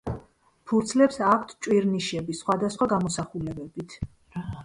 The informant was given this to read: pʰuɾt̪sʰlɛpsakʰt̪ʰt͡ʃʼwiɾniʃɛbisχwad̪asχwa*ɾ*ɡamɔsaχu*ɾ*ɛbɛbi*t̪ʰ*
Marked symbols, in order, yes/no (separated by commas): no, no, yes